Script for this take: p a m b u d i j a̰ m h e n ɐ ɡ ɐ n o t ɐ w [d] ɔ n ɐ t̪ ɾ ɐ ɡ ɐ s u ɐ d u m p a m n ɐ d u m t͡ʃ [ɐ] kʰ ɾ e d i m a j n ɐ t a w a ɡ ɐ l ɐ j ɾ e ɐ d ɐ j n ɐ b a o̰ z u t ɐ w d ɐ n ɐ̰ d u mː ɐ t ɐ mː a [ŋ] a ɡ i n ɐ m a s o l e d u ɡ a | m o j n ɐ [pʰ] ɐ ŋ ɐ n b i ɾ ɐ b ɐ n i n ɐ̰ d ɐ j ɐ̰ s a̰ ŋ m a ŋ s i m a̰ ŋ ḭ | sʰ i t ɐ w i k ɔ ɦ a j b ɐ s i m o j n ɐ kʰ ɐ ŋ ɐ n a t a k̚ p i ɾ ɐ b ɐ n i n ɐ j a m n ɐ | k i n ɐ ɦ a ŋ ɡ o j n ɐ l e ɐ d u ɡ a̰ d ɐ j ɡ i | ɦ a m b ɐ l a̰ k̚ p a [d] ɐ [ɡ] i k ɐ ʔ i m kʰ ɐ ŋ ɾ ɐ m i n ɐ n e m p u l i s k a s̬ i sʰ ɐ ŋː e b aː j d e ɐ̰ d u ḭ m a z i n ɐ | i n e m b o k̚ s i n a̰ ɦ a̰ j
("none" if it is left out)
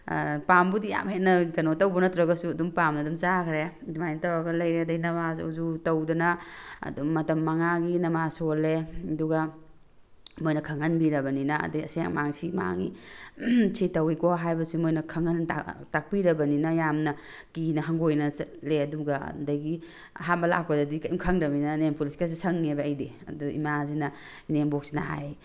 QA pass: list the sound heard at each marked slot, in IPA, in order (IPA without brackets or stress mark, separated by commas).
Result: b, a, ŋ, kʰ, d, d